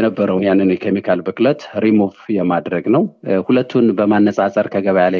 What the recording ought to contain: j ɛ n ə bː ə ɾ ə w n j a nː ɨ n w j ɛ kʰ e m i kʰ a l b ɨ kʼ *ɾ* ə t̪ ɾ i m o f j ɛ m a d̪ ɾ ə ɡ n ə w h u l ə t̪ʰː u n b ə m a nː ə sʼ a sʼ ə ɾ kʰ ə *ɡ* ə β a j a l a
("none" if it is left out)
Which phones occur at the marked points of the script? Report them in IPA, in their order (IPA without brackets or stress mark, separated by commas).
l, ɡ